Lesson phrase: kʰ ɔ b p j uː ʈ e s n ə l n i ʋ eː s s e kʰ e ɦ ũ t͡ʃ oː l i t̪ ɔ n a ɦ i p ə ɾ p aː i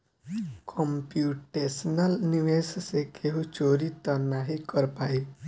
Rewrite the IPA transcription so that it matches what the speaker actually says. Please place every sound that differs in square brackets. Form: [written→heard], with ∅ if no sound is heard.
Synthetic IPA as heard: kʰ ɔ [b→m] p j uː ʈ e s n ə l n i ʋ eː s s e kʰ e ɦ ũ t͡ʃ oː [l→ɾ] i t̪ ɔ n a ɦ i [p→k] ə ɾ p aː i